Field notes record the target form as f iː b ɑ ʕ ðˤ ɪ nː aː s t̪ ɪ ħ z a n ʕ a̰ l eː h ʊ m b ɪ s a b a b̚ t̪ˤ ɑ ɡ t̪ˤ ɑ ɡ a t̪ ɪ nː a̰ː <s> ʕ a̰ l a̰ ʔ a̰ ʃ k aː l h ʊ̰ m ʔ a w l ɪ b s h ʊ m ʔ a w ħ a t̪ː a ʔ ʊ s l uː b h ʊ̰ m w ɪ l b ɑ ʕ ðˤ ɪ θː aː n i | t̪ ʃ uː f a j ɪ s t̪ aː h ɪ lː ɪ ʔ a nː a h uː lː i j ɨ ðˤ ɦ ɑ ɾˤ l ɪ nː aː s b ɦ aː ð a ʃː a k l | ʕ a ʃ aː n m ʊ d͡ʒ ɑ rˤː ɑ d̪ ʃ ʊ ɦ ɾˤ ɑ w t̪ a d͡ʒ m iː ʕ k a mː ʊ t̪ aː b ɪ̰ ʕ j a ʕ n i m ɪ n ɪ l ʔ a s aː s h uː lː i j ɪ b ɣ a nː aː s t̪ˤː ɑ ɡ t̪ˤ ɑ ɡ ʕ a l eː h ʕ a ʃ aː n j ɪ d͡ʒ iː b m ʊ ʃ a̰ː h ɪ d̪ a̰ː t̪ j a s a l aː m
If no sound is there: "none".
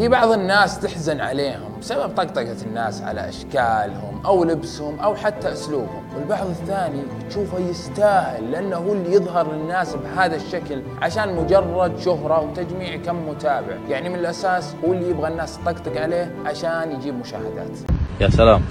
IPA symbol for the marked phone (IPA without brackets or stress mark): s